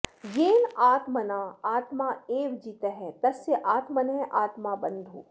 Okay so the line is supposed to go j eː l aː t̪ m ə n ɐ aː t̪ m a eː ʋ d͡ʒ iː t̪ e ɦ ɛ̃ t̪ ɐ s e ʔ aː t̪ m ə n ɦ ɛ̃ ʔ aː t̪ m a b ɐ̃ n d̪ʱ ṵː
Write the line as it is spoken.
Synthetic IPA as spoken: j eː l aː t̪ m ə n a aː t̪ m a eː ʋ d͡ʒ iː t̪ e ɦ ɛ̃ t̪ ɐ s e ʔ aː t̪ m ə n ɦ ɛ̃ ʔ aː t̪ m a b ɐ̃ n d̪ʱ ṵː